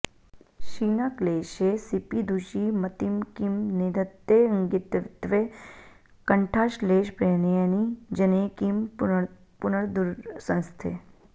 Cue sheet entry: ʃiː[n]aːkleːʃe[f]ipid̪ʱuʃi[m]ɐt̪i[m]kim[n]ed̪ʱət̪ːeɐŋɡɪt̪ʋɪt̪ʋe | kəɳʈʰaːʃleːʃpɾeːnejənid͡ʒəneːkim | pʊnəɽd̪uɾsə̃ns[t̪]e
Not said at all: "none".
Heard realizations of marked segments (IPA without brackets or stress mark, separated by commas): n, s, m, m, n, t̪ʰ